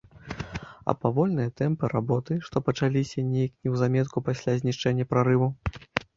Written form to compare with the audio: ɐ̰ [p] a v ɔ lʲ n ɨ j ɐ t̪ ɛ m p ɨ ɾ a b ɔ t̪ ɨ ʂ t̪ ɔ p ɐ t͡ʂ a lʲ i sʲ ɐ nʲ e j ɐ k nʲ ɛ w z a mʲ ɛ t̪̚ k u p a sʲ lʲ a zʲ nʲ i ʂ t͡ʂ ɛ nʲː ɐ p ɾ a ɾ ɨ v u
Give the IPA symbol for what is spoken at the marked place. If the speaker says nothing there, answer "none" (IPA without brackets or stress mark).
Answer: p